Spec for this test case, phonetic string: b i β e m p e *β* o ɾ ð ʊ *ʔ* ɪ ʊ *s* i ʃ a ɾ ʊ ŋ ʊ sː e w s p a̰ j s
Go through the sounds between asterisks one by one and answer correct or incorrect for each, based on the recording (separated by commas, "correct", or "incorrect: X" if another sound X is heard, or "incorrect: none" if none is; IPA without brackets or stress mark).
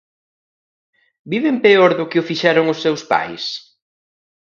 incorrect: none, incorrect: k, incorrect: f